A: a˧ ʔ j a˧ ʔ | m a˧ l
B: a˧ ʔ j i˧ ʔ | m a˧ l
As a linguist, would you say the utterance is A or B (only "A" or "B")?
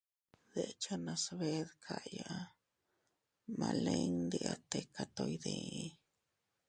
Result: A